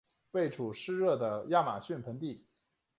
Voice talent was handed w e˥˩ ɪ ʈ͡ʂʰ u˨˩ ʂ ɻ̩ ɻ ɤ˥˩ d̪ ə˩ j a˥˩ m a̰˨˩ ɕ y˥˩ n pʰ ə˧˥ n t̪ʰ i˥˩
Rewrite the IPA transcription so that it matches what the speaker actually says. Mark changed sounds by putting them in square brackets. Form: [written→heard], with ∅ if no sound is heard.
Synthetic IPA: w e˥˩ ɪ ʈ͡ʂʰ u˨˩ ʂ ɻ̩ ɻ ɤ˥˩ d̪ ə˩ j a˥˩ m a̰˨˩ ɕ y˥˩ n pʰ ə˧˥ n [t̪ʰ→t̪] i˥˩